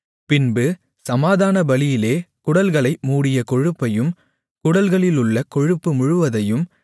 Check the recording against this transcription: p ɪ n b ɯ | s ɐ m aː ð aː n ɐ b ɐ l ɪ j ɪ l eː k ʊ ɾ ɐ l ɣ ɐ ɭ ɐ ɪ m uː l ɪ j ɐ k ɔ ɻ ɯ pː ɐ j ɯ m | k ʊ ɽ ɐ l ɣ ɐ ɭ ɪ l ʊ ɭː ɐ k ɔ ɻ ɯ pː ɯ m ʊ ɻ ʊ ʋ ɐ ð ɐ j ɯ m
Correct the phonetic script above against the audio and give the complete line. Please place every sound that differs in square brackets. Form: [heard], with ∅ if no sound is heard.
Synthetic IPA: p ɪ n b ɯ | s ɐ m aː ð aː n ɐ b ɐ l ɪ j ɪ l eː k ʊ [ɽ] ɐ l ɣ ɐ ɭ ɐ ɪ m uː [ɽ] ɪ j ɐ k ɔ ɻ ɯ pː ɐ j ɯ m | k ʊ ɽ ɐ l ɣ ɐ ɭ ɪ l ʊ ɭː ɐ k ɔ ɻ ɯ pː ɯ m ʊ ɻ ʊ ʋ ɐ ð ɐ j ɯ m